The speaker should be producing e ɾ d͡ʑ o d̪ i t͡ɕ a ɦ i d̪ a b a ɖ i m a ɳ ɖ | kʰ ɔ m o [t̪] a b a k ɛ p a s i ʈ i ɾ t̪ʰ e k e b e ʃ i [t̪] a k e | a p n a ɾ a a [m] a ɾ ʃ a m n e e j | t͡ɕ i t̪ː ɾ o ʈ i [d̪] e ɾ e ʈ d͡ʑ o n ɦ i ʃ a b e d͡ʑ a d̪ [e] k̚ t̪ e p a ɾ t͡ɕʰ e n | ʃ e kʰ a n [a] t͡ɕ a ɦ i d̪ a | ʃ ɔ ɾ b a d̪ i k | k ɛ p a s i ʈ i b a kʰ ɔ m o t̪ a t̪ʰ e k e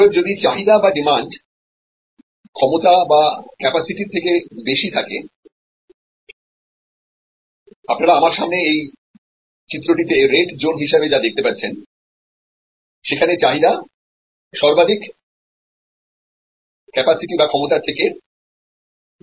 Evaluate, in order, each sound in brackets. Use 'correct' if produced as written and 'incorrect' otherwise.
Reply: correct, incorrect, correct, incorrect, correct, incorrect

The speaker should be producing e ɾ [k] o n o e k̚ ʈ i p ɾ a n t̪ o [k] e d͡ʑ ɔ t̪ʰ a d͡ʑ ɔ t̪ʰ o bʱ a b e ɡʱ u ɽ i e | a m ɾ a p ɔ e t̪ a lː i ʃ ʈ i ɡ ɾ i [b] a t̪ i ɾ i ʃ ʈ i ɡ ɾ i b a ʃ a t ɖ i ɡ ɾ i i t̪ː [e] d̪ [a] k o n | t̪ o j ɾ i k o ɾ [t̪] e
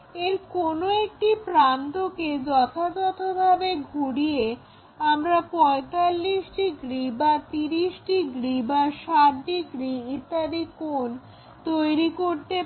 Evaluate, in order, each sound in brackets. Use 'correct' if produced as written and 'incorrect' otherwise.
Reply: correct, correct, correct, incorrect, incorrect, correct

